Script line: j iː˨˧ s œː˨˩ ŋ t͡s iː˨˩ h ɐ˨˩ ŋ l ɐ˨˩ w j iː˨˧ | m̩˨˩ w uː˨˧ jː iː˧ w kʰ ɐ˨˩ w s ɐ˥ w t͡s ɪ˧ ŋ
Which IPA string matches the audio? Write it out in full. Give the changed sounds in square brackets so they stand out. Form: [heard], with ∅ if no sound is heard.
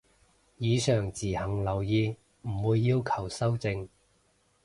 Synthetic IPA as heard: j iː˨˧ s œː˨˩ ŋ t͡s iː˨˩ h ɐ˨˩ ŋ l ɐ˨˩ w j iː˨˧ | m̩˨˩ w uː˨˧ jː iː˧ w kʰ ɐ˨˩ w s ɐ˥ w t͡s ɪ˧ ŋ